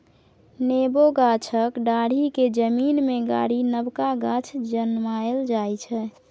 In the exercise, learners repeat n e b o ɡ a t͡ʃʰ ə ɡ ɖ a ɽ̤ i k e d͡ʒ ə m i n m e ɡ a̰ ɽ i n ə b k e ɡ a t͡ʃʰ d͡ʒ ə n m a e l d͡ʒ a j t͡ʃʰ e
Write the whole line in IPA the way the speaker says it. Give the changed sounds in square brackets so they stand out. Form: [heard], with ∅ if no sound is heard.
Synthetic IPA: n e b o ɡ a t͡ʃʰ ə [k] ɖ a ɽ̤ i k e d͡ʒ ə m i n m e ɡ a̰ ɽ i n ə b k [a] ɡ a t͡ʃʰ d͡ʒ ə n m a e l d͡ʒ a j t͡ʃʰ [ɛ]